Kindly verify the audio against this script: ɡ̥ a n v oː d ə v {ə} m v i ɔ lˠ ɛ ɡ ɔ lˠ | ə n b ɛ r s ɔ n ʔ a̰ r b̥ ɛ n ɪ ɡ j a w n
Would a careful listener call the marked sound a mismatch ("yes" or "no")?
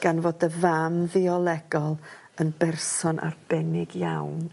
yes